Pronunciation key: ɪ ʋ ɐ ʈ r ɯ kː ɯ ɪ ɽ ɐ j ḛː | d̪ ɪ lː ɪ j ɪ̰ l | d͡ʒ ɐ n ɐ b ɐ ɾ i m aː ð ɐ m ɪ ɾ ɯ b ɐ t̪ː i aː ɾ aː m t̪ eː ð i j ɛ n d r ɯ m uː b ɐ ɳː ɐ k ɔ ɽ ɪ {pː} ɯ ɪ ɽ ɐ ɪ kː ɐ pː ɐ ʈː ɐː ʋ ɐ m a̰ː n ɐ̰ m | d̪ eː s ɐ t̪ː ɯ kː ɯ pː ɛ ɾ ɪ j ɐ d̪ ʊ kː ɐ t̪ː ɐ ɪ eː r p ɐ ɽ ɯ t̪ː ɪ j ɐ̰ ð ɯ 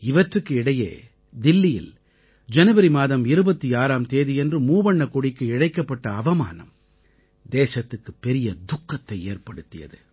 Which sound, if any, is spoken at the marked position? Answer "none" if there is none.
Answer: kː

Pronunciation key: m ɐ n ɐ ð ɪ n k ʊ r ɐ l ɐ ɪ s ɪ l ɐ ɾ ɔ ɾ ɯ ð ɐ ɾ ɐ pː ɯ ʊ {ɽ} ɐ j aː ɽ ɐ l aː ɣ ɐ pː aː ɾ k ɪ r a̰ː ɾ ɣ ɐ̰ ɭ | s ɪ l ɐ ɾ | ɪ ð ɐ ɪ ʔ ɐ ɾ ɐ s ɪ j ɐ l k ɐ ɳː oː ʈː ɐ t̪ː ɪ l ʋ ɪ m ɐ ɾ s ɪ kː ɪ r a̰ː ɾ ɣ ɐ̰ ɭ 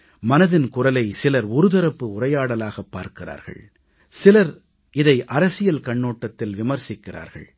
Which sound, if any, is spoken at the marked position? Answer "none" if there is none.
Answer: r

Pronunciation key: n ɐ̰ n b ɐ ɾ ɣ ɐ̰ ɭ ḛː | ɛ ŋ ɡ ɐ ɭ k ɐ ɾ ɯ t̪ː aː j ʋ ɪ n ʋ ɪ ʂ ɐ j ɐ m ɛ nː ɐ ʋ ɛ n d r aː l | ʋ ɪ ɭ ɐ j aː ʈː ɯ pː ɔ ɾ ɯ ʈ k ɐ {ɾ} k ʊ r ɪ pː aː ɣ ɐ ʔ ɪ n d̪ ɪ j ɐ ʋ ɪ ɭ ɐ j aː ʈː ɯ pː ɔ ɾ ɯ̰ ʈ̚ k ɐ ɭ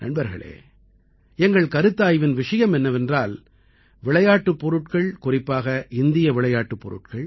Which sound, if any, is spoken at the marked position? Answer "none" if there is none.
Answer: ɭ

